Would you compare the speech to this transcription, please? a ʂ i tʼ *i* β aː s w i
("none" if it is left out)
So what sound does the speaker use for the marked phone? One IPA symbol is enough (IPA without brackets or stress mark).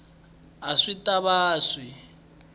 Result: a